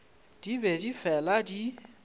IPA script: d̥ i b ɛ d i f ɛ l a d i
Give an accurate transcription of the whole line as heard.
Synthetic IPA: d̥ i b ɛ d i f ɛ l a d i